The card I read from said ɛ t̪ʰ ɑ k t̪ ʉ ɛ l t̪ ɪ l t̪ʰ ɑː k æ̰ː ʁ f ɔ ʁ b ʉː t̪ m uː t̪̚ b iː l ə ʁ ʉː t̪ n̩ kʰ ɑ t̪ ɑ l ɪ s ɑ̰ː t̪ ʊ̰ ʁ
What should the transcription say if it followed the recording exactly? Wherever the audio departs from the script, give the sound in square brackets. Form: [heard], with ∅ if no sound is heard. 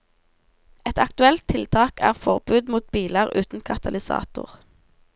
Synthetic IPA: ɛ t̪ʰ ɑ k t̪ ʉ ɛ l [t̪ʰ] ɪ l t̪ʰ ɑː k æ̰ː ʁ f ɔ ʁ b ʉː [d̪] m uː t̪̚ b iː l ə ʁ ʉː t̪ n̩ kʰ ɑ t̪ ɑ l ɪ s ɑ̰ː t̪ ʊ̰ ʁ